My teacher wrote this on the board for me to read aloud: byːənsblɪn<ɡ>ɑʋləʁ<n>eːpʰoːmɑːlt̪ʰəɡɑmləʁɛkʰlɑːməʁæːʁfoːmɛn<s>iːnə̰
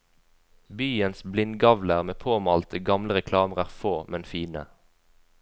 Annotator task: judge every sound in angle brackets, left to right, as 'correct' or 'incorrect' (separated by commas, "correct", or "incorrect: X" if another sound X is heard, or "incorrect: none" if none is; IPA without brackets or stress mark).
correct, incorrect: m, incorrect: f